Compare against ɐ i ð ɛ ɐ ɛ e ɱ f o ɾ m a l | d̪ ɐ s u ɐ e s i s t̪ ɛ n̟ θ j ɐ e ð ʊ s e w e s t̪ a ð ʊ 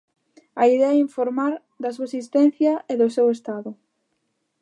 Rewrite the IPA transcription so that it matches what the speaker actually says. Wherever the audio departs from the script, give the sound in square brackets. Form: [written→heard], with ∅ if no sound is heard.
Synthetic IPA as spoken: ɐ i ð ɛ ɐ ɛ [e→i] ɱ f o ɾ m a [l→ɾ] | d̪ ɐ s u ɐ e s i s t̪ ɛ n̟ θ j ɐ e ð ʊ s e w e s t̪ a ð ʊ